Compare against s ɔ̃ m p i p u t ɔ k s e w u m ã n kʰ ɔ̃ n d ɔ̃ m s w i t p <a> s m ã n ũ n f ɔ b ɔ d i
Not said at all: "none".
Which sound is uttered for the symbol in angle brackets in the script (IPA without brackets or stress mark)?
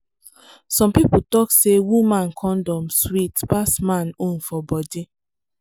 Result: a